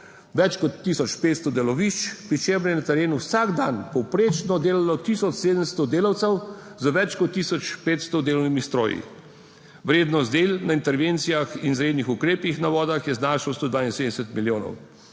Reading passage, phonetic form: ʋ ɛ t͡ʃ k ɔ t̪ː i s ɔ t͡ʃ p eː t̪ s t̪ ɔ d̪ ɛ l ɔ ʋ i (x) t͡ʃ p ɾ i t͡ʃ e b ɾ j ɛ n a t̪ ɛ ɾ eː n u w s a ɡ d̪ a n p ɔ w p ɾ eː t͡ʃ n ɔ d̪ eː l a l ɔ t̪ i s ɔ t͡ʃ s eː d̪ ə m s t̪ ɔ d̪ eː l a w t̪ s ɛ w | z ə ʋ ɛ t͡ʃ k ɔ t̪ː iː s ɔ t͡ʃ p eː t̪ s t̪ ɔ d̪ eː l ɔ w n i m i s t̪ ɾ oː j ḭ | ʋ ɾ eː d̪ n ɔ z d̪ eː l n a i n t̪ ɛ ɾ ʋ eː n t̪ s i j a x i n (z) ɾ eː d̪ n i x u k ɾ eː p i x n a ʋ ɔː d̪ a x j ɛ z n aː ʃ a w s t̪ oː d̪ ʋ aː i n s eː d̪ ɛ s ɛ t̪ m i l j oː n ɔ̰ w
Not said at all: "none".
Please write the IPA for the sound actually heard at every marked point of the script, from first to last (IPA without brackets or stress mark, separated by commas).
ʃ, z